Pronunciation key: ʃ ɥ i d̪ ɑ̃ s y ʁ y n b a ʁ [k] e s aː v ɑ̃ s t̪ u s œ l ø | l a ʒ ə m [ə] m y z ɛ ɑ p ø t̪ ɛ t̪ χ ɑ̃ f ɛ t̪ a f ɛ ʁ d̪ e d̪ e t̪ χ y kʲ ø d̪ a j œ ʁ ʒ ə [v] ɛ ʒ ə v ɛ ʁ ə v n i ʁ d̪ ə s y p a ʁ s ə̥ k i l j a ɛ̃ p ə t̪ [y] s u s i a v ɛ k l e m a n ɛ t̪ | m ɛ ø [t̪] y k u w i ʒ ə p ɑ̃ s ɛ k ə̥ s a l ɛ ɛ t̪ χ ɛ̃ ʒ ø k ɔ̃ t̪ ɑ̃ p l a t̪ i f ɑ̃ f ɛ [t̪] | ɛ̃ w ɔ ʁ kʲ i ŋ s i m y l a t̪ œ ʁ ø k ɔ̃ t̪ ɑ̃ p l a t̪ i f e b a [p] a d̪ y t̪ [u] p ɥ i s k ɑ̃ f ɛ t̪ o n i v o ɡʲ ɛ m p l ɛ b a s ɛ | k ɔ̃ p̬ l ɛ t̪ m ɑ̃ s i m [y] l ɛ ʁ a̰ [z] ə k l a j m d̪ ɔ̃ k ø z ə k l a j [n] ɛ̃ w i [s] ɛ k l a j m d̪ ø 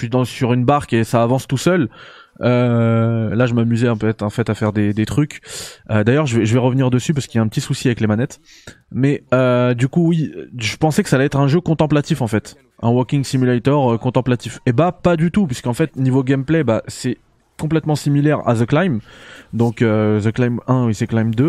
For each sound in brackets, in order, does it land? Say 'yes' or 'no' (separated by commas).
yes, no, yes, no, no, yes, yes, yes, no, yes, no, yes